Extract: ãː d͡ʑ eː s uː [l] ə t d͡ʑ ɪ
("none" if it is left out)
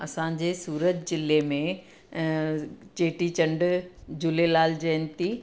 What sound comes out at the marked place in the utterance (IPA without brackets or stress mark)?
ɾ